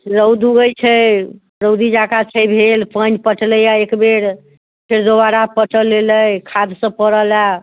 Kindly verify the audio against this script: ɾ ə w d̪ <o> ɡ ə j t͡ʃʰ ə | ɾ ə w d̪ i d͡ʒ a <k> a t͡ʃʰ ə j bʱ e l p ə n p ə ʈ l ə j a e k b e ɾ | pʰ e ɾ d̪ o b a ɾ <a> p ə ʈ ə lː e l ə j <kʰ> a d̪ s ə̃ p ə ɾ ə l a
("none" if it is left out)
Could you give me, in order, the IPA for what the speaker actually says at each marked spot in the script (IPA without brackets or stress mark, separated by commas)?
u, k, a, kʰ